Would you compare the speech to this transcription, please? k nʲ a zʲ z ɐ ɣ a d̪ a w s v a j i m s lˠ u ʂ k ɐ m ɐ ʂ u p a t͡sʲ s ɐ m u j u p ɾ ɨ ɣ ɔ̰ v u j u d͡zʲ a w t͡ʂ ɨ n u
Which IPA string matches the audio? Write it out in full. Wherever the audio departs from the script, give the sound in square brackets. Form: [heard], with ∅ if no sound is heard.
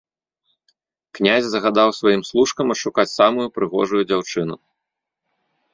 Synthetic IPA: k nʲ a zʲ z ɐ ɣ a d̪ a w s v a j i m s lˠ u ʂ k ɐ m ɐ ʂ u [k] a t͡sʲ s [a] m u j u p ɾ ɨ ɣ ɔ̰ [ʐ] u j u d͡zʲ a w t͡ʂ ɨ n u

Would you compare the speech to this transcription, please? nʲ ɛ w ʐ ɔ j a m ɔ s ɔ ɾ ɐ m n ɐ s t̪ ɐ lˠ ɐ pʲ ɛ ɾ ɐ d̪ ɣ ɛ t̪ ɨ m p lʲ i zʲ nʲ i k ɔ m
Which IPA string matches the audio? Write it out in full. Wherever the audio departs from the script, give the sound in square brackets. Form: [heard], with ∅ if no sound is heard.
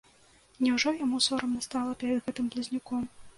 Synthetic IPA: nʲ ɛ w ʐ ɔ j a m [u] s ɔ ɾ ɐ m n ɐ s t̪ [a] lˠ ɐ pʲ ɛ ɾ ɐ d̪ ɣ ɛ t̪ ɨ m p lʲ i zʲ nʲ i k ɔ m

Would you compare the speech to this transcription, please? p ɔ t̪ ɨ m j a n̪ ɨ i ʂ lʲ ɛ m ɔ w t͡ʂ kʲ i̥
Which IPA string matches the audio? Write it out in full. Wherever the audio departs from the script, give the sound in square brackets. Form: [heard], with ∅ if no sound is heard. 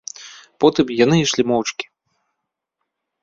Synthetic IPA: p ɔ t̪ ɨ m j a n̪ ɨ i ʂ lʲ [i] m ɔ w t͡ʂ kʲ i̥

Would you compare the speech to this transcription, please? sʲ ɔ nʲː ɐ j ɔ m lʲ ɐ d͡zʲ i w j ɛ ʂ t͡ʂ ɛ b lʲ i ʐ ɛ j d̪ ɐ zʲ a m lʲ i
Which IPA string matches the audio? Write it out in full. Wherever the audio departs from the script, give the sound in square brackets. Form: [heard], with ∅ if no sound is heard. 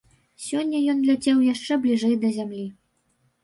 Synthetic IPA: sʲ ɔ nʲː ɐ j ɔ [n] lʲ [a] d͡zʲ [ɛ] w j [a] ʂ t͡ʂ ɛ b lʲ i ʐ ɛ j d̪ ɐ zʲ a m lʲ i

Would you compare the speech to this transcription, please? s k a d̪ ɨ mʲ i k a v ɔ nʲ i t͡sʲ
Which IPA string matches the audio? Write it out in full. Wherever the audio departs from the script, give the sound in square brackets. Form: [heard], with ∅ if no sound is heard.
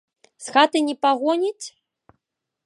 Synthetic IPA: s [x] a [t̪] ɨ [nʲ] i [p] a [ɣ] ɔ nʲ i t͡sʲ

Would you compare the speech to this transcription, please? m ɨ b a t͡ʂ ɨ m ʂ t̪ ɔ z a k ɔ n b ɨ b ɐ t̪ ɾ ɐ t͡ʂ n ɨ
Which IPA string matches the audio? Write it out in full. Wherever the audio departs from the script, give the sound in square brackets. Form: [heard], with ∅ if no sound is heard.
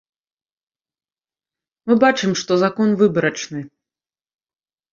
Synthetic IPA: m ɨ b a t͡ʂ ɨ m ʂ t̪ ɔ z a k ɔ n [v] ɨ b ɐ [∅] ɾ ɐ t͡ʂ n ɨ

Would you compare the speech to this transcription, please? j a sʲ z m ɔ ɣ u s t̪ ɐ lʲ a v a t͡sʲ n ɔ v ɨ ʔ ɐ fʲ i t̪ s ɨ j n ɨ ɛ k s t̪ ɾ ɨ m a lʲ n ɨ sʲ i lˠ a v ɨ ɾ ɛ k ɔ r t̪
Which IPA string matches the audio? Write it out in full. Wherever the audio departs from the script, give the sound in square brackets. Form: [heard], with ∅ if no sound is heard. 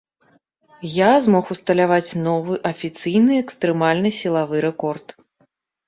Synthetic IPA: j a [∅] z m ɔ [x] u s t̪ ɐ lʲ a v a t͡sʲ n ɔ v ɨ ʔ ɐ fʲ i t̪ s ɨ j n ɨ ɛ k s t̪ ɾ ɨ m a lʲ n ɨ sʲ i lˠ a v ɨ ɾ ɛ k ɔ r t̪

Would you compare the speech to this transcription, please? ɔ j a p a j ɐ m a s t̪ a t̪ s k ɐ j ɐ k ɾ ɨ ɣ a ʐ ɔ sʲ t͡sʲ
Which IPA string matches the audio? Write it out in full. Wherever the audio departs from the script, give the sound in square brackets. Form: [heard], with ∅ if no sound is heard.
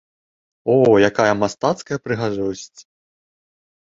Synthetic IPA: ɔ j a [k] a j ɐ m a s t̪ a t̪ s k ɐ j ɐ [p] ɾ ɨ ɣ a ʐ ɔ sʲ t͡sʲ

